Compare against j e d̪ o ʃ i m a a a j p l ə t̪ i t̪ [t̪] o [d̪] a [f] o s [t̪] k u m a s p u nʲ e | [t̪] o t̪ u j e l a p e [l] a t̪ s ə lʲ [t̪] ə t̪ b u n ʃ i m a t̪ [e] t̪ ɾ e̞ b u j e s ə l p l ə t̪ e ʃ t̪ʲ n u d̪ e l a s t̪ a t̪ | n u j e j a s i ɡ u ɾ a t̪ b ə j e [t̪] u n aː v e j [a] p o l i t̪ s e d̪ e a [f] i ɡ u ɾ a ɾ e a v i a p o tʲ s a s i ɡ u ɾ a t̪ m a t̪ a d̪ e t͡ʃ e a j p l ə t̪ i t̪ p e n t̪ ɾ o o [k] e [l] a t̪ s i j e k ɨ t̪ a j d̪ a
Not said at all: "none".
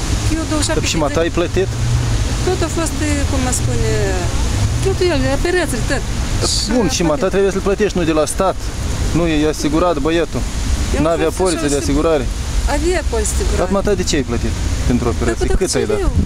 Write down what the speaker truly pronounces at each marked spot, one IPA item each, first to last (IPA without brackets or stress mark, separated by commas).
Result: t̪, t̪, f, t̪, t̪, ɾ, t̪, a, t̪, a, s, p, ɾ